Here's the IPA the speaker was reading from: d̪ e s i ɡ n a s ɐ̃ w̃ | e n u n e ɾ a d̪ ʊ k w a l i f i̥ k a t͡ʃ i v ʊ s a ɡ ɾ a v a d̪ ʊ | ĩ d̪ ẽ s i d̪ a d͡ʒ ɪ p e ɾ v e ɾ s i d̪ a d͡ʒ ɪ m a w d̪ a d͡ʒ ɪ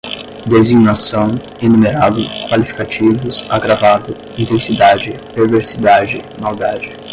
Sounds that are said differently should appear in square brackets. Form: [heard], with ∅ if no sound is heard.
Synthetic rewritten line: d̪ e [z] i ɡ n a s ɐ̃ w̃ | e n u [m] e ɾ a d̪ ʊ k w a l i f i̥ k a t͡ʃ i v ʊ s a ɡ ɾ a v a d̪ ʊ | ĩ [t̪] ẽ s i d̪ a d͡ʒ ɪ p e ɾ v e ɾ s i d̪ a d͡ʒ ɪ m a w d̪ a d͡ʒ ɪ

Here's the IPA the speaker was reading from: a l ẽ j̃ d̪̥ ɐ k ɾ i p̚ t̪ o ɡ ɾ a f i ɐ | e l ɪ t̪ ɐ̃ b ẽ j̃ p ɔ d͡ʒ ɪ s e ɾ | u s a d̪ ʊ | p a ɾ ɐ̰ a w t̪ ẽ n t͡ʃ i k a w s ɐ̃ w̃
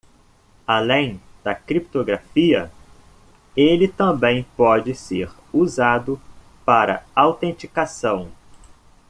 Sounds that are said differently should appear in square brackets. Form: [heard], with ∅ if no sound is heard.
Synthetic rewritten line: a l ẽ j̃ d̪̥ ɐ k ɾ i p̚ t̪ o ɡ ɾ a f i ɐ | e l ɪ t̪ ɐ̃ b ẽ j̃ p ɔ d͡ʒ ɪ s e ɾ | u [z] a d̪ ʊ | p a ɾ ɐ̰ a w t̪ ẽ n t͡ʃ i k a [∅] s ɐ̃ w̃

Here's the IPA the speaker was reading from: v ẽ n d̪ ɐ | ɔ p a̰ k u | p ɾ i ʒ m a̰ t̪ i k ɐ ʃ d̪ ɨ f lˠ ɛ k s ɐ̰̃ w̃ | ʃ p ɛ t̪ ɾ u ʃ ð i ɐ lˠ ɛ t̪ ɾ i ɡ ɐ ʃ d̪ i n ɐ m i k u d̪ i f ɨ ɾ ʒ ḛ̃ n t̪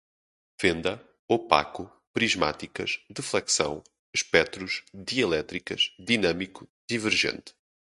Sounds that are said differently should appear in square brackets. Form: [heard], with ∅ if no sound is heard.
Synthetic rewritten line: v ẽ n d̪ ɐ | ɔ p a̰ k u | p ɾ i ʒ m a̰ t̪ i k ɐ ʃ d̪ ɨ f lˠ ɛ k s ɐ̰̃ w̃ | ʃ p ɛ t̪ ɾ u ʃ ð i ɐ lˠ ɛ t̪ ɾ i [k] ɐ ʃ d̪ i n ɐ m i k u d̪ i [v] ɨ ɾ ʒ ḛ̃ n t̪

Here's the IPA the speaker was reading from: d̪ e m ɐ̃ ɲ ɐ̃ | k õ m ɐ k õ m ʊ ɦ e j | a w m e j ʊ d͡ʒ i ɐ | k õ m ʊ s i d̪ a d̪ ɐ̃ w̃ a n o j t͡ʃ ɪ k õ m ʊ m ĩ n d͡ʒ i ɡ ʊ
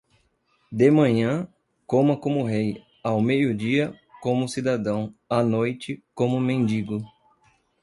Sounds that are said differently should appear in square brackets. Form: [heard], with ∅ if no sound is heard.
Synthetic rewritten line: d̪ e m ɐ̃ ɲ ɐ̃ | k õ m ɐ k õ m ʊ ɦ e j | a w m e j ʊ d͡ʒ i ɐ | k õ m ʊ s i d̪ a d̪ ɐ̃ w̃ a n o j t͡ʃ ɪ k õ m ʊ m [ẽ] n d͡ʒ i ɡ ʊ

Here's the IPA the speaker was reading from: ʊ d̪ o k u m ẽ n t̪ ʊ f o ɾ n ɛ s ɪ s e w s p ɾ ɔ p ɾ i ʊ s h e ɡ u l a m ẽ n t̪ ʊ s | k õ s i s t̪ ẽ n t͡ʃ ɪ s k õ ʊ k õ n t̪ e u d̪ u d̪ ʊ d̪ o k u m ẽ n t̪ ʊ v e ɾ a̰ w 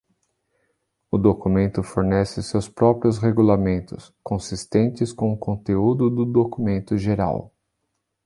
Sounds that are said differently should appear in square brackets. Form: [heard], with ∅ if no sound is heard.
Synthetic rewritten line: ʊ d̪ o k u m ẽ n t̪ ʊ f o ɾ n ɛ s ɪ s e w s p ɾ ɔ p ɾ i ʊ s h e ɡ u l a m ẽ n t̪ ʊ s | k õ s i s t̪ ẽ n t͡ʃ ɪ s k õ ʊ k õ n t̪ e u d̪ [ʊ] d̪ ʊ d̪ o k u m ẽ n t̪ ʊ [ʒ] e ɾ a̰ w

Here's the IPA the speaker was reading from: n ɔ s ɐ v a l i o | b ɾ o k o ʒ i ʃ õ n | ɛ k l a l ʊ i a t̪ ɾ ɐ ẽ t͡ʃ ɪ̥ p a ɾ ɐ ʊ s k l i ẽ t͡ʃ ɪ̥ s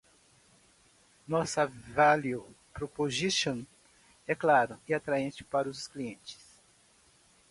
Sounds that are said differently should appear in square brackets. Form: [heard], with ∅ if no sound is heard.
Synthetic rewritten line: n ɔ s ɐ v a l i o | [p] ɾ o [p] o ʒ i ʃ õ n | ɛ k l a [ɾ] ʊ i a t̪ ɾ [a] ẽ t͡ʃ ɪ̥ p a ɾ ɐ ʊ s k l i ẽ t͡ʃ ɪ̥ s

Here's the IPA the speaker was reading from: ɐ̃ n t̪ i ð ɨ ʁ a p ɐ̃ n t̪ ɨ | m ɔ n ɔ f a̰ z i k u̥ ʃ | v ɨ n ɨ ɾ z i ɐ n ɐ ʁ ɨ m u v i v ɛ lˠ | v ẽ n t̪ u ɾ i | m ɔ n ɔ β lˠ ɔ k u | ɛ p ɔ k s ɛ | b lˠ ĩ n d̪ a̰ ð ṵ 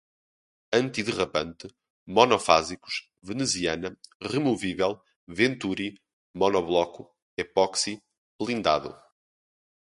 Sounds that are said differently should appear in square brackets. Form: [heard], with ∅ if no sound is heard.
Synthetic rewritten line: ɐ̃ n t̪ i ð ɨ ʁ [ɐ] p ɐ̃ n t̪ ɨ | m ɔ n ɔ f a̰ z i k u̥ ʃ | v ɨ n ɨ [∅] z i ɐ n ɐ ʁ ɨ m u v i v ɛ lˠ | v ẽ n t̪ u ɾ i | m ɔ n ɔ β lˠ ɔ k u | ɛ p ɔ k s [i] | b lˠ ĩ n d̪ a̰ ð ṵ

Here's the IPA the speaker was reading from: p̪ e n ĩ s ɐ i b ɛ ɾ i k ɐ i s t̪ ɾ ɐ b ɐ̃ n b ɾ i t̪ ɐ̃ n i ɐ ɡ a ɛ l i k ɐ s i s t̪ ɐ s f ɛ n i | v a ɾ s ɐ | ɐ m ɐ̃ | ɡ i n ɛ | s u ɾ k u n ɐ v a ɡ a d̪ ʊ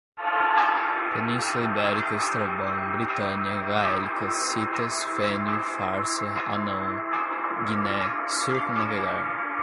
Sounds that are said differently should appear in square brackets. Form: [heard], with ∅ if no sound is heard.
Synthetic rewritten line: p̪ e n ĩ s ɐ i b ɛ ɾ i k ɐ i s t̪ ɾ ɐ b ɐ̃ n b ɾ i t̪ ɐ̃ n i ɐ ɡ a ɛ l i k ɐ s i [∅] t̪ ɐ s f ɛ n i | [f] a ɾ s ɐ | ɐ [n] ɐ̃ | ɡ i n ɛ | s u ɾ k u n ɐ v [e] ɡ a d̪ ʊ

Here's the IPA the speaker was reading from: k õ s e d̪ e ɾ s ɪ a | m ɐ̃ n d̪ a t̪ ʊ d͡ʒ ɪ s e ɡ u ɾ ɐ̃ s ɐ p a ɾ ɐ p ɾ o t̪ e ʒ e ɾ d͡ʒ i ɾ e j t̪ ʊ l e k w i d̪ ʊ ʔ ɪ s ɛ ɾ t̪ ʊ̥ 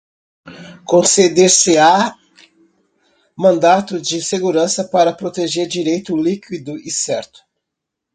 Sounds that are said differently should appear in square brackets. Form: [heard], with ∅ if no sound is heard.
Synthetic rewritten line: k õ s e d̪ e ɾ s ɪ a | m ɐ̃ n d̪ a t̪ ʊ d͡ʒ ɪ s e ɡ u ɾ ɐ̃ s ɐ p a ɾ ɐ p ɾ o t̪ e ʒ e ɾ d͡ʒ i ɾ e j t̪ ʊ l [i] k w i d̪ ʊ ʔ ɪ s ɛ ɾ t̪ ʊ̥

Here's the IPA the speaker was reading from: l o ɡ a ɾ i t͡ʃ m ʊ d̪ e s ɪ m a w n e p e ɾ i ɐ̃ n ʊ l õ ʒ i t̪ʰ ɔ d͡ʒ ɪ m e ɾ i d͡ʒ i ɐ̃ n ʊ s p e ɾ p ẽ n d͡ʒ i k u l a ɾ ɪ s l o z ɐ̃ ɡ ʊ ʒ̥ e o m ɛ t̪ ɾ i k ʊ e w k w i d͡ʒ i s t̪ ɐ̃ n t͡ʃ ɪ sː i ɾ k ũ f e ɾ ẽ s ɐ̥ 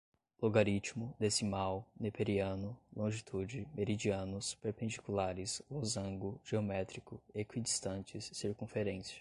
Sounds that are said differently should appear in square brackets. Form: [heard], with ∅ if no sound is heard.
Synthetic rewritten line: l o ɡ a ɾ i t͡ʃ m ʊ d̪ e s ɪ m a w n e p e ɾ i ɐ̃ n ʊ l õ ʒ i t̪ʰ [u] d͡ʒ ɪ m e ɾ i d͡ʒ i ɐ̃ n ʊ s p e ɾ p ẽ n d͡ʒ i k u l a ɾ ɪ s l o z ɐ̃ ɡ ʊ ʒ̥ e o m ɛ t̪ ɾ i k ʊ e [∅] k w i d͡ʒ i s t̪ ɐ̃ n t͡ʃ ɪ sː i ɾ k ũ f e ɾ ẽ s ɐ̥

